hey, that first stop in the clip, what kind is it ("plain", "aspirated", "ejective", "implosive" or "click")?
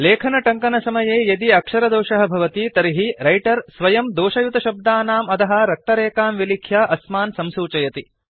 aspirated